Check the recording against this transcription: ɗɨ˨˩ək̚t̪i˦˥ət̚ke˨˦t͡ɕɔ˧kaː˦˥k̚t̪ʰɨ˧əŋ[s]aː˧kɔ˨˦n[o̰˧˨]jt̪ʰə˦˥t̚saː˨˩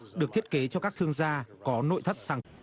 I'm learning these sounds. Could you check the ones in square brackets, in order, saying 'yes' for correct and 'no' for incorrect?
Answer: no, yes

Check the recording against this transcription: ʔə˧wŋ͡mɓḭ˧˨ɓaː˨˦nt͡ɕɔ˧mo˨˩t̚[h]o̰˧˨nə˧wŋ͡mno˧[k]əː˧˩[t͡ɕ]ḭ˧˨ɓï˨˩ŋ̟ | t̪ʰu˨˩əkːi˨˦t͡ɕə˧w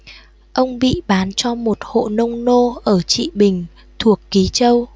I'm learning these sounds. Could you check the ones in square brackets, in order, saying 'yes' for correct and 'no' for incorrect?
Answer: yes, no, yes

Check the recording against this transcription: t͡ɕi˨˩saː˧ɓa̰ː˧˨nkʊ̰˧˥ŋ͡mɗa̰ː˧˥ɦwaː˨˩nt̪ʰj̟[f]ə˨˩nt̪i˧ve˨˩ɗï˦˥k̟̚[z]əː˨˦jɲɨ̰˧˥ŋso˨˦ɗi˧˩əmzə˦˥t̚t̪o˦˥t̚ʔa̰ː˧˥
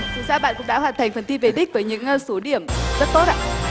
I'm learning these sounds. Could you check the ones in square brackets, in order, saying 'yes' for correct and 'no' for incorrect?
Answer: yes, no

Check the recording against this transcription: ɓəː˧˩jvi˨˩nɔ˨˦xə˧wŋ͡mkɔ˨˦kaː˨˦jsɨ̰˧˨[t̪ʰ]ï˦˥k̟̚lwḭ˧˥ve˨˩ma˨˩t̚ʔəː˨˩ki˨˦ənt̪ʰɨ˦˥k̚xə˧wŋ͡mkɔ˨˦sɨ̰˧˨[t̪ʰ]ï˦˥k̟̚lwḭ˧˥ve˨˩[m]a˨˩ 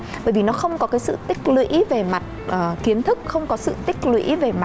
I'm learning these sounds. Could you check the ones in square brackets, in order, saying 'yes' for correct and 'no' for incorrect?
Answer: no, no, yes

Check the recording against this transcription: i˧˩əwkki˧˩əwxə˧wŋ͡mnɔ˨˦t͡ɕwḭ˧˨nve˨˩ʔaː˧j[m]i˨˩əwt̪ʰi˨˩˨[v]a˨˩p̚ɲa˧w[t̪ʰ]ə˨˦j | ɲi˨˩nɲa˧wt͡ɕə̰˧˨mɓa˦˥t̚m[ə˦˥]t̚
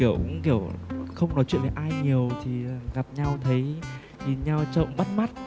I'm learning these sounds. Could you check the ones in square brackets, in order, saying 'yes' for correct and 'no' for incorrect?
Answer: no, no, yes, no

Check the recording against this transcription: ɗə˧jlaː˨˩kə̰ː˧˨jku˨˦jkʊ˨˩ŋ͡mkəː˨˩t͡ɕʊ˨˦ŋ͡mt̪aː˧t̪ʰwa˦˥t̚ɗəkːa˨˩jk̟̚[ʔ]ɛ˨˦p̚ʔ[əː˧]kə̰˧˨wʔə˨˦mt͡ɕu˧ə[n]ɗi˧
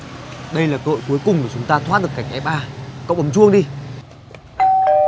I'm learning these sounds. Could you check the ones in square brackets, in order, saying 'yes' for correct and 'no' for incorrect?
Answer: yes, no, no

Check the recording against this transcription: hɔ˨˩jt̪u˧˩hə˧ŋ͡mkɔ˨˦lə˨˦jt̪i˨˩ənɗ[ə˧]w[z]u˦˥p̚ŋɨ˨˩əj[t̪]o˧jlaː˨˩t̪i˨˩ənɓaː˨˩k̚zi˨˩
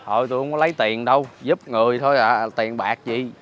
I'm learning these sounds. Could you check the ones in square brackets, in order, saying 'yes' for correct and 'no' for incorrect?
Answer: yes, yes, no

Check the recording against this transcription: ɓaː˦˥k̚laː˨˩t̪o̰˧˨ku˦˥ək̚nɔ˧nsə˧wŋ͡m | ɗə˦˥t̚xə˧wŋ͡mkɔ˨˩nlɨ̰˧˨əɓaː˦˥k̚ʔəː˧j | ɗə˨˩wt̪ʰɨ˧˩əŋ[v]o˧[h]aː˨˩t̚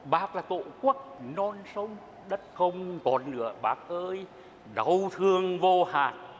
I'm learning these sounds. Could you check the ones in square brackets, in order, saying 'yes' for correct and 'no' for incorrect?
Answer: yes, yes

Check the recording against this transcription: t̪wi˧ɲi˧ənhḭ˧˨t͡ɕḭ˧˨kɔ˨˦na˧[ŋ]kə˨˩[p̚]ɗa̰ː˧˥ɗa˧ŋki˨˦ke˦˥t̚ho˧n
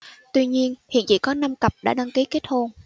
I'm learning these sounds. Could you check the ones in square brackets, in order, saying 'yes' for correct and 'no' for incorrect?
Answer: no, yes

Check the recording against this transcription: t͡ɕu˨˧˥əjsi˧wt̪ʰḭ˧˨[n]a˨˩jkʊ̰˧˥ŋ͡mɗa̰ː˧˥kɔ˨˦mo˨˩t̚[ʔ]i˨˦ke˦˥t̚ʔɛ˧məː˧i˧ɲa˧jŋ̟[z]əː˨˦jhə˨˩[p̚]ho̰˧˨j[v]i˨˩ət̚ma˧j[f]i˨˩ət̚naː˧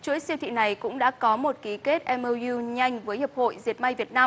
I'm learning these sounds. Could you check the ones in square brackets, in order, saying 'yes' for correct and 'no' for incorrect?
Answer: yes, no, no, yes, no, no

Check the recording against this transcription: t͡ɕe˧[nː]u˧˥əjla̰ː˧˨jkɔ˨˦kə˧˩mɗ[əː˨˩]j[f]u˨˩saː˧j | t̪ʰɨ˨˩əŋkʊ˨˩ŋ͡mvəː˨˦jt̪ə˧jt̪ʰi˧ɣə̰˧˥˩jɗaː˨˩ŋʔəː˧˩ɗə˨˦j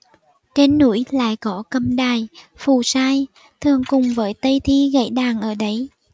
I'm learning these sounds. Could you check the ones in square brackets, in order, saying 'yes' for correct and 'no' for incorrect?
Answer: yes, no, yes

